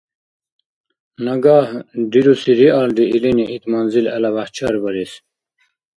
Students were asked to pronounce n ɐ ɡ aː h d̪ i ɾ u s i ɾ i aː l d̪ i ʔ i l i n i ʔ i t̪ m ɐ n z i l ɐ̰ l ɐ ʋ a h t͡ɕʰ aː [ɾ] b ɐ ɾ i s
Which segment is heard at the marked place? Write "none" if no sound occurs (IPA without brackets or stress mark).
ɾ